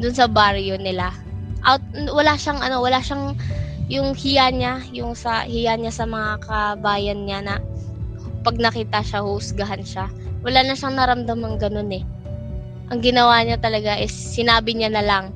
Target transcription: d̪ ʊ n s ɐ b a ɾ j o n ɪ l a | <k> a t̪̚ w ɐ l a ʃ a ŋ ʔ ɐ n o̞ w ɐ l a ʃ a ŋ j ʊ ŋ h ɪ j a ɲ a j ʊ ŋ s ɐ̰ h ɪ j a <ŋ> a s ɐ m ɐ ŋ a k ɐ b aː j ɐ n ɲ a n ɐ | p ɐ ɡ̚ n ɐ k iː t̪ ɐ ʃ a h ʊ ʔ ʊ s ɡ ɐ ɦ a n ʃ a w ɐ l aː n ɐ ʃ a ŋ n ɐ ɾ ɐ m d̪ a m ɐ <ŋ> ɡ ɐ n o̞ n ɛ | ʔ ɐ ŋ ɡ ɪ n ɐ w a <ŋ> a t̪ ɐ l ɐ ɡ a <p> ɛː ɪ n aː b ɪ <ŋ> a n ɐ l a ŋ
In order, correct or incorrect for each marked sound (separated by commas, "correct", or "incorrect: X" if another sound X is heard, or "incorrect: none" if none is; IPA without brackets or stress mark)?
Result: incorrect: ʔ, incorrect: ɲ, correct, incorrect: ɲ, incorrect: ʔ, incorrect: ɲ